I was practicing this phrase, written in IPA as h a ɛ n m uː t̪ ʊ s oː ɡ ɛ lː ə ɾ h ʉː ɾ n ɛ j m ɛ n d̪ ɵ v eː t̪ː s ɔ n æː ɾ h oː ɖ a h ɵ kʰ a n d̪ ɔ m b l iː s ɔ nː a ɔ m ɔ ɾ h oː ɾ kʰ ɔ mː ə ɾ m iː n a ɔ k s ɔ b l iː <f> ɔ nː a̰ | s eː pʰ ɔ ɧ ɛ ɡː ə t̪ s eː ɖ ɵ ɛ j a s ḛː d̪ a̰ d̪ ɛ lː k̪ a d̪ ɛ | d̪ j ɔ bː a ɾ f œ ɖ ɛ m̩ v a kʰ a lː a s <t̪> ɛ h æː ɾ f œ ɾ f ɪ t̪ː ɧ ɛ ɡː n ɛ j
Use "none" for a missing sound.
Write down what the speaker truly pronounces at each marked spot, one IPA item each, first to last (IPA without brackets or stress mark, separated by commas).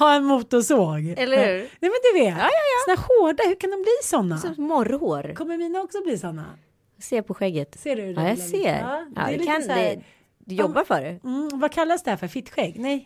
s, d̪